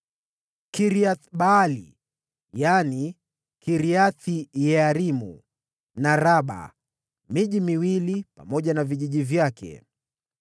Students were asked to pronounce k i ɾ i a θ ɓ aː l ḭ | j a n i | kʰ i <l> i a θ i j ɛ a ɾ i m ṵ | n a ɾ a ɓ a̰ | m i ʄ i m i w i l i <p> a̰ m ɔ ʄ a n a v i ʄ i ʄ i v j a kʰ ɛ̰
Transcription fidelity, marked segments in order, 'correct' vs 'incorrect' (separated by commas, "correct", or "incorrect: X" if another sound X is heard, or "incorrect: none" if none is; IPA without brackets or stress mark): incorrect: ɾ, correct